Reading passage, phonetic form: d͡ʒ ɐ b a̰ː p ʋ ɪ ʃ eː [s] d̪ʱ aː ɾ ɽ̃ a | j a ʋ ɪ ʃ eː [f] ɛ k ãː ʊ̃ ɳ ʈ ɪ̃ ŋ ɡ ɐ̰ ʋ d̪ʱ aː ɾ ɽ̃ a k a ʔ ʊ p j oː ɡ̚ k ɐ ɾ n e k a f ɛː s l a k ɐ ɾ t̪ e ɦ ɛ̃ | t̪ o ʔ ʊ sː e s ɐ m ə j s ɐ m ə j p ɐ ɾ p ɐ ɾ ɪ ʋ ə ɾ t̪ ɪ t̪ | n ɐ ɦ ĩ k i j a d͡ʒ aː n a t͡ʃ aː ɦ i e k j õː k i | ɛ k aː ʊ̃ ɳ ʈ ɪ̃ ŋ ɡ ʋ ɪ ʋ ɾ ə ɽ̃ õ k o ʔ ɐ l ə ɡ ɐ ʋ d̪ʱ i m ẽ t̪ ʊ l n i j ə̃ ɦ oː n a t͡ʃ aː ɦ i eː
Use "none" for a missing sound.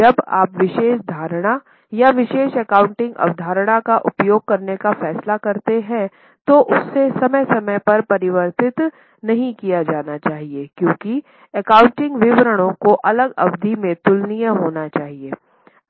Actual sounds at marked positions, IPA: ʃ, ʃ

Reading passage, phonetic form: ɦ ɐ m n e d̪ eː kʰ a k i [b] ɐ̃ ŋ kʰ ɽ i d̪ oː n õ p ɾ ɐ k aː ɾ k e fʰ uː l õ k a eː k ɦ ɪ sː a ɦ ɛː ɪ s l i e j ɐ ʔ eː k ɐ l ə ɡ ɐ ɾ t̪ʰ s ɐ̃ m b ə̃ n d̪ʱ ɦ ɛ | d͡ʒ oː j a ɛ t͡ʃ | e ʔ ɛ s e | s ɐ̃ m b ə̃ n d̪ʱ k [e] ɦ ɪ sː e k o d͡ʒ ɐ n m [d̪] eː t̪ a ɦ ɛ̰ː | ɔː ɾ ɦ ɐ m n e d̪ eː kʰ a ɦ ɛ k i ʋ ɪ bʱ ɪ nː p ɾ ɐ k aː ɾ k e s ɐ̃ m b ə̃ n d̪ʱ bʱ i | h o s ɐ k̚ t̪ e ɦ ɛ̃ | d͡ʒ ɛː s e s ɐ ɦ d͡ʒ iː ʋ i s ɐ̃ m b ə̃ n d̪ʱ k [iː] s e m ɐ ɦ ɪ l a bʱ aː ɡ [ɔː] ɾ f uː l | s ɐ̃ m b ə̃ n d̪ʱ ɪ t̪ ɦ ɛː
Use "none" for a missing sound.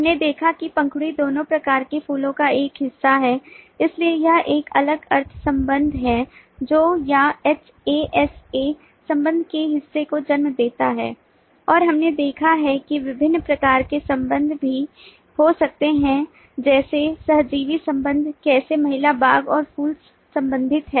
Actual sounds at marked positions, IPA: p, e, d̪, ɛː, ɔː

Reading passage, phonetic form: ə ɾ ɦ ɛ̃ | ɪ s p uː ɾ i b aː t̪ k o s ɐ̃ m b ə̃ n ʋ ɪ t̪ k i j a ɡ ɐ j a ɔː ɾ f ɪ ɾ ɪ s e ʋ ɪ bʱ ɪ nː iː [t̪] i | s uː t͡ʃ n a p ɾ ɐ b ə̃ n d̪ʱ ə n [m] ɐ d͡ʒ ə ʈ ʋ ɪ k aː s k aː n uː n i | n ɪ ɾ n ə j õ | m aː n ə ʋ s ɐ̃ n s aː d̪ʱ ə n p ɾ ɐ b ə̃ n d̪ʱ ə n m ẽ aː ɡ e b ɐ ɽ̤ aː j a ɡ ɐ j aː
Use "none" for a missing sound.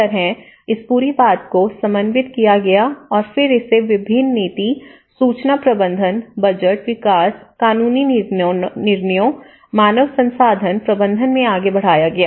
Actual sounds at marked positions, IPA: t̪, b

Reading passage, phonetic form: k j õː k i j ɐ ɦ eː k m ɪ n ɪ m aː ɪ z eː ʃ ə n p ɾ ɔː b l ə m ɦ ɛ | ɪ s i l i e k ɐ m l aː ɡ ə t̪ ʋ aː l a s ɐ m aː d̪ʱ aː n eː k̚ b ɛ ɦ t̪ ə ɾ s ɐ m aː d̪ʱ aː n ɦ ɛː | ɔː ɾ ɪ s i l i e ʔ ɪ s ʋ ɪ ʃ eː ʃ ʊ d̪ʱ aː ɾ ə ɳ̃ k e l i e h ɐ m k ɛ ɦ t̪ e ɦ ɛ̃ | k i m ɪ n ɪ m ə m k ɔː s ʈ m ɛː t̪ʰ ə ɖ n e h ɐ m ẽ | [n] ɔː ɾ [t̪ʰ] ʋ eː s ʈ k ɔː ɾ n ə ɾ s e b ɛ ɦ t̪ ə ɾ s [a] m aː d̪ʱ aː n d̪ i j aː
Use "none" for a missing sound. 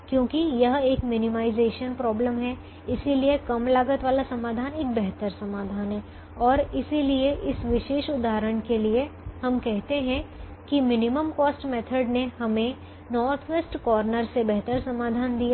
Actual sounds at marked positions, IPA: n, t̪ʰ, ɐ

